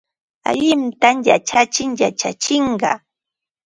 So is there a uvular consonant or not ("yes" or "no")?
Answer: yes